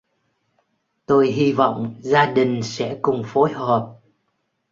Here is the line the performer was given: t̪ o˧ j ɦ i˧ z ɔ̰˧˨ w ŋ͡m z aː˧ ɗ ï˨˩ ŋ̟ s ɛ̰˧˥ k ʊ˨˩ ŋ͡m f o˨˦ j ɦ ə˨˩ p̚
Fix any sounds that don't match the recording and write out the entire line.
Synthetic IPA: t̪ o˧ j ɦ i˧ v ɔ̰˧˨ w ŋ͡m z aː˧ ɗ ï˨˩ ŋ̟ s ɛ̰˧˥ k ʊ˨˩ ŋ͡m f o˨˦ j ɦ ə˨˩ p̚